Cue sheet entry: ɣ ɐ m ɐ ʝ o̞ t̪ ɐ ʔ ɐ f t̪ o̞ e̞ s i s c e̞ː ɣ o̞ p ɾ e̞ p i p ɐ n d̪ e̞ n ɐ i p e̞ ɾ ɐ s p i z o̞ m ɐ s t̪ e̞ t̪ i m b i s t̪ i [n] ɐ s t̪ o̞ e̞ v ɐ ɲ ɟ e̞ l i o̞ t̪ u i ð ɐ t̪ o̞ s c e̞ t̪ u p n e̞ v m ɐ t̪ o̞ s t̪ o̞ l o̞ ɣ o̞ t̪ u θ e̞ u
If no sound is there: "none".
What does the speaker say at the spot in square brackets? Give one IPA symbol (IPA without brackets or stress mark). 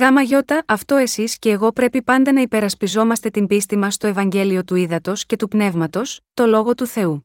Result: m